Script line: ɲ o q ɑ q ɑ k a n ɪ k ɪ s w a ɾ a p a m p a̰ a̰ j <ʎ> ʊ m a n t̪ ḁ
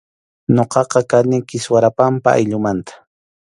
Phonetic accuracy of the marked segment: correct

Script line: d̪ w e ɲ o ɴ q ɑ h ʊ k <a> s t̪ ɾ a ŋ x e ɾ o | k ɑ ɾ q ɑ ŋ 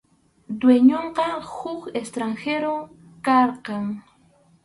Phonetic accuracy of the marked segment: incorrect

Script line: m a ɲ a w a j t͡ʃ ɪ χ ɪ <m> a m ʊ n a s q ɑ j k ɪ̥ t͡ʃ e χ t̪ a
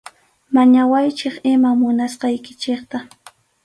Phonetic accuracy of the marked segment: correct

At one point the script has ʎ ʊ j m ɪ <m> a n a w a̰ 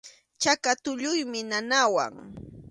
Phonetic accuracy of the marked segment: incorrect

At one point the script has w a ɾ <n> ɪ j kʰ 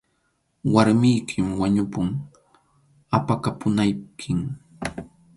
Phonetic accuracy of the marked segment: incorrect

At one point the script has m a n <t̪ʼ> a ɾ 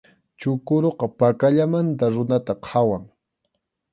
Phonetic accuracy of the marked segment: incorrect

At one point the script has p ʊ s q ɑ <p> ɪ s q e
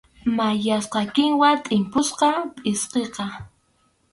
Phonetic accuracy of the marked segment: incorrect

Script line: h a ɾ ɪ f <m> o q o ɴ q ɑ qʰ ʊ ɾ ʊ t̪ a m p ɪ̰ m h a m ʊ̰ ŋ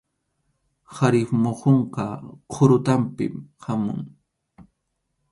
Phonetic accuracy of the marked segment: correct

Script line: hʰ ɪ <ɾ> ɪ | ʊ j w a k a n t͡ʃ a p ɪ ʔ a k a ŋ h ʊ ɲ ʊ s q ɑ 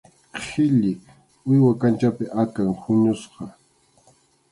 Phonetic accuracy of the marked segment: incorrect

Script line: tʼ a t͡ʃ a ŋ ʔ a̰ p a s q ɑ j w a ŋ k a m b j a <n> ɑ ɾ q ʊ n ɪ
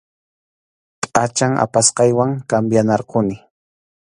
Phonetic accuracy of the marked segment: correct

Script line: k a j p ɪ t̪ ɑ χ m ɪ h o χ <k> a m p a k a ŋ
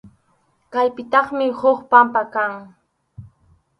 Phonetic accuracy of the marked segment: incorrect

